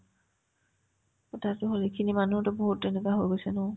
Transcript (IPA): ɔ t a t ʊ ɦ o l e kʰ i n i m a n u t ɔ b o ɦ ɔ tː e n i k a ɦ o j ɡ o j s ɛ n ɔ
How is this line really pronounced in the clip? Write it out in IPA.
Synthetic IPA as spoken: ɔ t a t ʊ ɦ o l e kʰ i n i m a n u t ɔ b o ɦ u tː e n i k a ɦ o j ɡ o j s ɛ n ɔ